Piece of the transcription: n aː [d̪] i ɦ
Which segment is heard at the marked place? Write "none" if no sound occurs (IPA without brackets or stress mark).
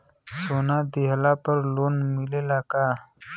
d̪